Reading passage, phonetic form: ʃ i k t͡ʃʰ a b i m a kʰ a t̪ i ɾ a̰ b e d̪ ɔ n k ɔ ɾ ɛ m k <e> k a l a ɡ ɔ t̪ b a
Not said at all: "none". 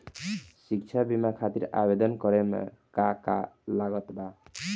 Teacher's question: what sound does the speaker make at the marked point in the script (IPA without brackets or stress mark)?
a